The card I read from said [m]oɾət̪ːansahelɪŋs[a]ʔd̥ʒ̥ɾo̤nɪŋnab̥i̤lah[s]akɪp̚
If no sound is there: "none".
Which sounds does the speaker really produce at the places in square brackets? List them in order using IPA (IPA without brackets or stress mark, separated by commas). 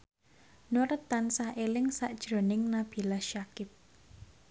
n, a, ʃ